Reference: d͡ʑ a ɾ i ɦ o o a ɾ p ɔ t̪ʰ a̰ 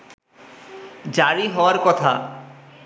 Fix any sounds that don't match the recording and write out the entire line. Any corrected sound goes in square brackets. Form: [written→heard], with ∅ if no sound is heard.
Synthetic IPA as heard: d͡ʑ a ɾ i ɦ [o→ɔ] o a ɾ [p→k] ɔ t̪ʰ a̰